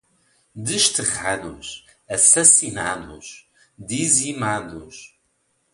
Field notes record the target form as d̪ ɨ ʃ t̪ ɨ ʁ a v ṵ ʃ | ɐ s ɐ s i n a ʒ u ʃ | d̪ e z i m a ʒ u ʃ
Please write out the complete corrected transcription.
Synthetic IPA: d̪ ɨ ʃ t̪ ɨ ʁ a ð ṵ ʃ | ɐ s ɐ s i n a ð u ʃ | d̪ i z i m a ð u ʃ